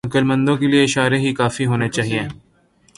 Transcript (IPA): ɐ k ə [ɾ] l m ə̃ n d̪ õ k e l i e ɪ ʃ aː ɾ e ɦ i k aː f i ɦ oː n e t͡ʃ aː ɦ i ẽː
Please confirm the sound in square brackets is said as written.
no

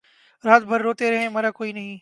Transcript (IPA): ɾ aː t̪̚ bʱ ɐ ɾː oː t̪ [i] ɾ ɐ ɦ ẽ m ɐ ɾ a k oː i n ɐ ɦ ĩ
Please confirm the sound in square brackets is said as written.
no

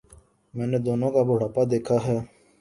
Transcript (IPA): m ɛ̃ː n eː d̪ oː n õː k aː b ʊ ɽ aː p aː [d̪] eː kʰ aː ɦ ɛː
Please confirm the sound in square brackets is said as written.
yes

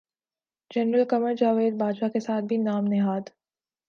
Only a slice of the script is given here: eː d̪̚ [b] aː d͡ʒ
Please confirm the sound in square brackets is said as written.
yes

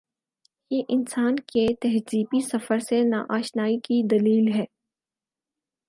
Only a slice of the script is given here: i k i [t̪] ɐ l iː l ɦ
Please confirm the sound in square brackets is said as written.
no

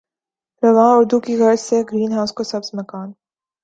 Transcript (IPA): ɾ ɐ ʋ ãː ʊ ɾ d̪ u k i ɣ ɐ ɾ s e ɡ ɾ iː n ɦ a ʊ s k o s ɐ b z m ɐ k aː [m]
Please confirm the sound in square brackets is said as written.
no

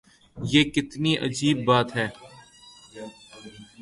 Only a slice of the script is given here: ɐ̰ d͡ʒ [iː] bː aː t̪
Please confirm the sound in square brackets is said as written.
yes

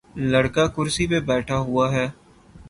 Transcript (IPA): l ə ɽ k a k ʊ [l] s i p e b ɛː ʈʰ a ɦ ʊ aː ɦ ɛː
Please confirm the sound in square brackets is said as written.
no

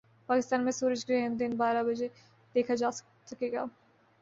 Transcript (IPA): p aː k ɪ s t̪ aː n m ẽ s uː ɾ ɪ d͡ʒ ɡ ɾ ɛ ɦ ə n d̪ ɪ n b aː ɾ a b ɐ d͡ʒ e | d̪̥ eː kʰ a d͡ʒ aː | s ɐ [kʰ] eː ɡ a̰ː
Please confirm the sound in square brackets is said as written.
no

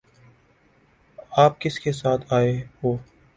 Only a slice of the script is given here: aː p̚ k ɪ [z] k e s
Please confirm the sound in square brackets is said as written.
no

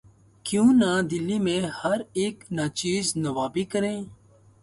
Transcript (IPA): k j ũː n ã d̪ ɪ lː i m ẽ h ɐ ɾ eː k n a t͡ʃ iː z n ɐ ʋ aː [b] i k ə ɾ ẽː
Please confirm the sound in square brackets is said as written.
yes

